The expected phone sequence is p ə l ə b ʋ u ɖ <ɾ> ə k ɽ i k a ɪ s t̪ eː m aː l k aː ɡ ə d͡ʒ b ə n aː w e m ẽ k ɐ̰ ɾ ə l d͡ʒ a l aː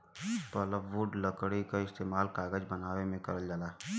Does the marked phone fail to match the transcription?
yes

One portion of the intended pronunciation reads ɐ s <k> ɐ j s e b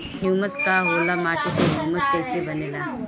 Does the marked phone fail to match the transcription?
no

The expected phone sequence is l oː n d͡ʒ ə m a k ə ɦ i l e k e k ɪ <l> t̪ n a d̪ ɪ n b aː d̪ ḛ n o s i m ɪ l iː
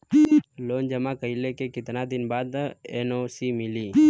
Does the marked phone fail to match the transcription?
yes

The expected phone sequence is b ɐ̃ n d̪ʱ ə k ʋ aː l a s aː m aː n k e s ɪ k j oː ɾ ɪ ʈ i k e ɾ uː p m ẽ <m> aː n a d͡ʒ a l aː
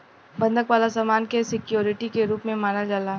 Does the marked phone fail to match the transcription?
no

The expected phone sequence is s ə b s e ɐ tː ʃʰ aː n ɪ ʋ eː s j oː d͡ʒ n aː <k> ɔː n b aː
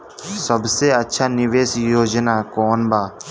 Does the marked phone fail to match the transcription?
no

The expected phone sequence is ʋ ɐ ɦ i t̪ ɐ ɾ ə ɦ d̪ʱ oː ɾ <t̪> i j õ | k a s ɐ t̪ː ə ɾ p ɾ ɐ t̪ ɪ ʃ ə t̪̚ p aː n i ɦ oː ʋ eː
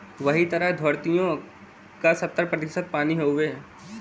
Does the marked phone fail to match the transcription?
no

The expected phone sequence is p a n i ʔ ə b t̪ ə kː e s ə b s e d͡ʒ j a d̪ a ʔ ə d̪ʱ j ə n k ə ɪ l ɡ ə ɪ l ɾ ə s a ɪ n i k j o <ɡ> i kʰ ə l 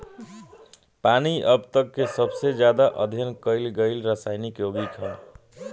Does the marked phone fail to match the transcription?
no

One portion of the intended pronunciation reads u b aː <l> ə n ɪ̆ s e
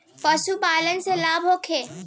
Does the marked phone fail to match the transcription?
no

